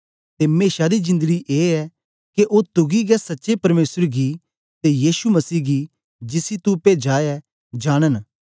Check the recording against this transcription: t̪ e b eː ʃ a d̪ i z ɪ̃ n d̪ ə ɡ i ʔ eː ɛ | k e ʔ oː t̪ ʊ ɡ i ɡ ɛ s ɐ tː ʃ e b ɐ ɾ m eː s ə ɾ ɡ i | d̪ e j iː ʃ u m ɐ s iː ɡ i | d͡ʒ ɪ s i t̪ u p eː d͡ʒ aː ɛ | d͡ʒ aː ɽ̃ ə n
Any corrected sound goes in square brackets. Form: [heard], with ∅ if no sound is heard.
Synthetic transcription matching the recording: t̪ e [m] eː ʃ a d̪ i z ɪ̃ n d̪ ə ɡ i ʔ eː ɛ | k e ʔ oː t̪ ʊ ɡ i ɡ ɛ s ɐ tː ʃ e [p] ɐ ɾ m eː s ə ɾ ɡ i | [t̪] e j iː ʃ u m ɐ s iː ɡ i | d͡ʒ ɪ s i t̪ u p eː d͡ʒ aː ɛ | d͡ʒ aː ɽ̃ ə n

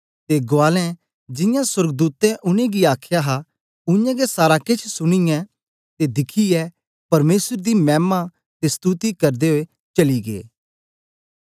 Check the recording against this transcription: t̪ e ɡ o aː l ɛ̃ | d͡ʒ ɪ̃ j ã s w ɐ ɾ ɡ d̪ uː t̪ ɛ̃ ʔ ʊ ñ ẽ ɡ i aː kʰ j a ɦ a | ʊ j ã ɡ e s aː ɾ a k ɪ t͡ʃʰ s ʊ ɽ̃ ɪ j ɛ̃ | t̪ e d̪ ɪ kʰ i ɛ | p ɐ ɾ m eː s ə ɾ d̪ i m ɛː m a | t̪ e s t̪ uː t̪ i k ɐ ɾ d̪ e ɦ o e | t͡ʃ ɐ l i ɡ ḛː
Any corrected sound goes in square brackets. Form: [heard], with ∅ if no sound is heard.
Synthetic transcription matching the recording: t̪ e ɡ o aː l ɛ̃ | d͡ʒ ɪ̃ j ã s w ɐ ɾ ɡ d̪ uː t̪ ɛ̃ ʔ ʊ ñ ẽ ɡ i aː kʰ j a ɦ a | ʊ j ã ɡ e s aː ɾ a k ɪ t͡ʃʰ s ʊ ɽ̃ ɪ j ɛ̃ | t̪ e d̪ ɪ kʰ i ɛ | p ɐ ɾ m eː s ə ɾ d̪ i m ɛː m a | t̪ e s t̪ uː t̪ i k ɐ ɾ d̪ e ɦ o e | t͡ʃ ɐ l i ɡ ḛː

